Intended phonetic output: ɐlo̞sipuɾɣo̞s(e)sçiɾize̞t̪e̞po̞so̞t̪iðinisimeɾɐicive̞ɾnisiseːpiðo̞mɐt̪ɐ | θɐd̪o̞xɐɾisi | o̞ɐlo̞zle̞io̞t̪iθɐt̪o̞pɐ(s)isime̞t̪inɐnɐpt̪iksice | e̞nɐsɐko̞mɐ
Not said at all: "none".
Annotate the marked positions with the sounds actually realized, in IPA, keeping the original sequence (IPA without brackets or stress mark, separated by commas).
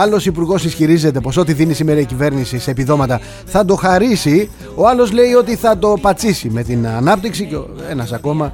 i, t͡s